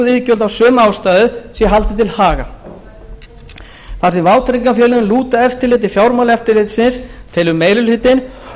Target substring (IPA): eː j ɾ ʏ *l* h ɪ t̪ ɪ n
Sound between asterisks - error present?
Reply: no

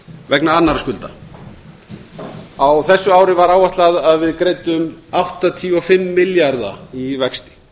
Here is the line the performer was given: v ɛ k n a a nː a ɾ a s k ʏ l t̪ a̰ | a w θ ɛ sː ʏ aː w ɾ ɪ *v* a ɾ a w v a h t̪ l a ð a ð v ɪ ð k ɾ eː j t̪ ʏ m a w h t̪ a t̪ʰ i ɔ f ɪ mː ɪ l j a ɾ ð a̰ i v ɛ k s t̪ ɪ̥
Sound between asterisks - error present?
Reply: no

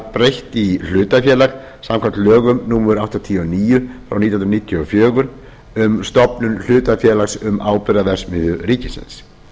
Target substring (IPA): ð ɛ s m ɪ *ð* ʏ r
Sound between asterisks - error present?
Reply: no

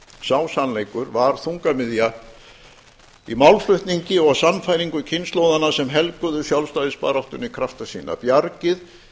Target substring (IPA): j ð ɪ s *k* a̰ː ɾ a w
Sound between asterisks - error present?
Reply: yes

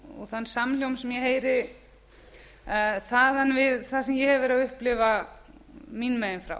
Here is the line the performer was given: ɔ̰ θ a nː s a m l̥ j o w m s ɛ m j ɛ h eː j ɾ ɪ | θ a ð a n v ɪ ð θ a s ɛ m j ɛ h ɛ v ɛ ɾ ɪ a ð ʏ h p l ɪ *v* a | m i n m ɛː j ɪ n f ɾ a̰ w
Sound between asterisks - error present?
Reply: no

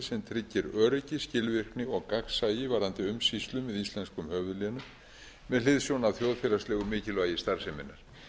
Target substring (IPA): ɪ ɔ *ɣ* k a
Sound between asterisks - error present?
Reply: no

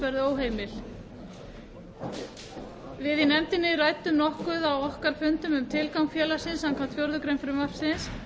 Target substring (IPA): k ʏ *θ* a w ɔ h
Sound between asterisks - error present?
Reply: yes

